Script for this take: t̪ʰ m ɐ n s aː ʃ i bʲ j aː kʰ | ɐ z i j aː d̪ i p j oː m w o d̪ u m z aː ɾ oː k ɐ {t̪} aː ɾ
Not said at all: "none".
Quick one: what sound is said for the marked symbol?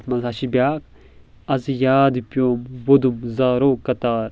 t̪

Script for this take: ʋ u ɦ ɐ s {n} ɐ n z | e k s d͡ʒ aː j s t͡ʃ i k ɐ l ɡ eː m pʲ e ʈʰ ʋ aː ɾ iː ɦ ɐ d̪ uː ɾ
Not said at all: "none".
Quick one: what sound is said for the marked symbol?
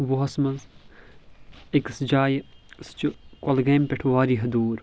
m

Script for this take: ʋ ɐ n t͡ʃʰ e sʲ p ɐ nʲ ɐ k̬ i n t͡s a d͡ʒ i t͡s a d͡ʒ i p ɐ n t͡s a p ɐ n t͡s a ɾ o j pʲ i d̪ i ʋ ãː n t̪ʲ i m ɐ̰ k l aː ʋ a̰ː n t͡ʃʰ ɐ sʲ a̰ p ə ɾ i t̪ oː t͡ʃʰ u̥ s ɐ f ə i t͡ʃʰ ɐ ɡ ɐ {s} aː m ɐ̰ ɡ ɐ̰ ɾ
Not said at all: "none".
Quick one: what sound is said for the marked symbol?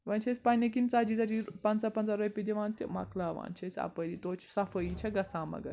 s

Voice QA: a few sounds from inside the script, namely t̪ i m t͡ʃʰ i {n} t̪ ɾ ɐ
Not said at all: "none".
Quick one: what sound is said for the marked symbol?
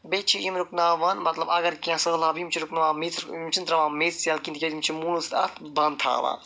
n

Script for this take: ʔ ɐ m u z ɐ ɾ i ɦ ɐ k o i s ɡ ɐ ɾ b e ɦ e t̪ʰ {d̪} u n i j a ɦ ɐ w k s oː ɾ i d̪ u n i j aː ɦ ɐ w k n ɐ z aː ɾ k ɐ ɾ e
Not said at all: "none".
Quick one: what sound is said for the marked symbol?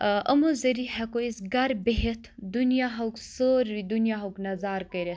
d̪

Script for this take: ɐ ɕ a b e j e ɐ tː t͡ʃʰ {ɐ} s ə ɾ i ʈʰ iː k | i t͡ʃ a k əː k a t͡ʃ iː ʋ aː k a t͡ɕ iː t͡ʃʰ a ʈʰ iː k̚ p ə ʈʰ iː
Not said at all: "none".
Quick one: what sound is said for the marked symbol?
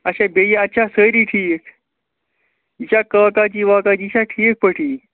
a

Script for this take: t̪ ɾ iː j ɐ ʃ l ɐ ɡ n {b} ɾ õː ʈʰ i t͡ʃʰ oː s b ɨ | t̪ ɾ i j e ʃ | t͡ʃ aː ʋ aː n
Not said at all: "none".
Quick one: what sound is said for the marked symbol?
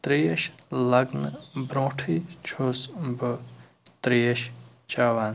b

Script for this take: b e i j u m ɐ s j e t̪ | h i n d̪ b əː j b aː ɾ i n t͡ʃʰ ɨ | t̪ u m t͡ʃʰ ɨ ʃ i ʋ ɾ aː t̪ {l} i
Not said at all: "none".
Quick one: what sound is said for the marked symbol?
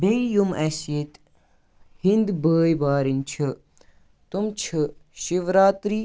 ɾ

